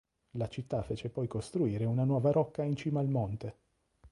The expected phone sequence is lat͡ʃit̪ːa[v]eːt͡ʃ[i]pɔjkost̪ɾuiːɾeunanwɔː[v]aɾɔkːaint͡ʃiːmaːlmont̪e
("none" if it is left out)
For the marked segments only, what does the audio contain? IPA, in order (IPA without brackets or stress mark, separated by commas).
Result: f, e, v